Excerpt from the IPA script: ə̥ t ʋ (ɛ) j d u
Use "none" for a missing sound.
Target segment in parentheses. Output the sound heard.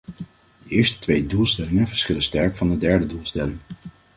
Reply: e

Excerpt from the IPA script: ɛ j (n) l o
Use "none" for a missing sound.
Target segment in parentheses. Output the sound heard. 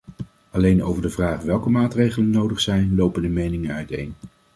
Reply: n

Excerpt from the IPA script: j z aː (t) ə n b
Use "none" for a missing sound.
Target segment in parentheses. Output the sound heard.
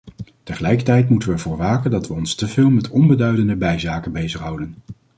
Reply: k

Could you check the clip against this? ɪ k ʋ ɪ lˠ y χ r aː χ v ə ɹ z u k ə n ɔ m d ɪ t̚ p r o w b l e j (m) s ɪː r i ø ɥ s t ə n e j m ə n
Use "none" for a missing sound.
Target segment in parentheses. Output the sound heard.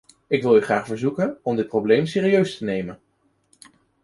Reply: m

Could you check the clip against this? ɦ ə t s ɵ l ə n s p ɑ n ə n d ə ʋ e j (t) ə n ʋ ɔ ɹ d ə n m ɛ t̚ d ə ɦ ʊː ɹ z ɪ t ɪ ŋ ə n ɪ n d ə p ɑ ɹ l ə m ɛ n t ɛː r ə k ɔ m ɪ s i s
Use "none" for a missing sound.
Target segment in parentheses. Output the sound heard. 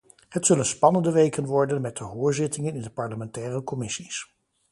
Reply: k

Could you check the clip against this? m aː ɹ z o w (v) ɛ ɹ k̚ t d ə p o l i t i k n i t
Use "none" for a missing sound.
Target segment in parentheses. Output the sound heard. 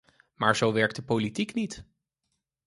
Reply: ʋ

